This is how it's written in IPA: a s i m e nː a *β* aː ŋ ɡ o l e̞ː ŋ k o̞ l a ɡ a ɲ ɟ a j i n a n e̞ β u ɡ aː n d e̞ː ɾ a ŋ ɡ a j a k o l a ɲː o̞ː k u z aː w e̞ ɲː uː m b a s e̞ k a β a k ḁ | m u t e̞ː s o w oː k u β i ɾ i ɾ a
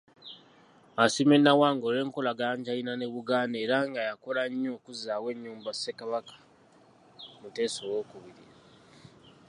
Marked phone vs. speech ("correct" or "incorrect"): incorrect